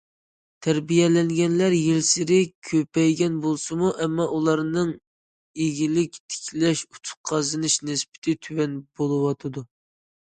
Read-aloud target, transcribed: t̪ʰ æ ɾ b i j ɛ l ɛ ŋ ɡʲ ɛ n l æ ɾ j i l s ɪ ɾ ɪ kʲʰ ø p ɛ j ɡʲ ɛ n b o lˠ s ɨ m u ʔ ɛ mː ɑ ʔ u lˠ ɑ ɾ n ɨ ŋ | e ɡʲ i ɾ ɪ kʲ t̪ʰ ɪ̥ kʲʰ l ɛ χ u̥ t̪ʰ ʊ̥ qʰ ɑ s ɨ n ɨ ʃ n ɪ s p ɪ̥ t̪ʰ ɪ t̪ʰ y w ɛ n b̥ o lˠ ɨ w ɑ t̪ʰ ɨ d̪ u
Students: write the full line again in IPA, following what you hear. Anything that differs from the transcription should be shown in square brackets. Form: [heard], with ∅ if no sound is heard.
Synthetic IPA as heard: t̪ʰ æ ɾ b i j ɛ l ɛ ŋ ɡʲ ɛ n l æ ɾ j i l s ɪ ɾ ɪ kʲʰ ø p ɛ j ɡʲ ɛ n b o lˠ s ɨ m u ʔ ɛ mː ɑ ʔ u lˠ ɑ ɾ n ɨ ŋ | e ɡʲ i [l] ɪ kʲ t̪ʰ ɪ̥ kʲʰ l ɛ [ʃ] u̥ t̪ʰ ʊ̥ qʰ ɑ [z] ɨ n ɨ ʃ n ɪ s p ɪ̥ t̪ʰ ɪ t̪ʰ y w ɛ n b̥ o lˠ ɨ w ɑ t̪ʰ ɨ d̪ u